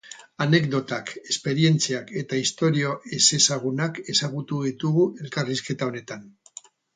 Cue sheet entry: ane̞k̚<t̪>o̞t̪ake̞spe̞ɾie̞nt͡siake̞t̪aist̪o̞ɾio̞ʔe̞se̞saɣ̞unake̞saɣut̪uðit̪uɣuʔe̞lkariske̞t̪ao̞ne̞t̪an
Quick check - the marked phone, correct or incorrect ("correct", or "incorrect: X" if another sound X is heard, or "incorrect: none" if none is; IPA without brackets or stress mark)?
incorrect: d̪